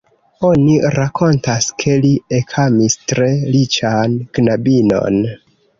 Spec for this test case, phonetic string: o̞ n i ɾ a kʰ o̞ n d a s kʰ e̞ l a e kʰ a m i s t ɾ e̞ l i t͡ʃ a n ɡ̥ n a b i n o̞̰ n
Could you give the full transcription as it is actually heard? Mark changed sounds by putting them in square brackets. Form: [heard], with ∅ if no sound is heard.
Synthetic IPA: o̞ n i ɾ a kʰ o̞ n [t] a s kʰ e̞ l [i] e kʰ a m i s t ɾ e̞ l i t͡ʃ a n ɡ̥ n a b i n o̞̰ n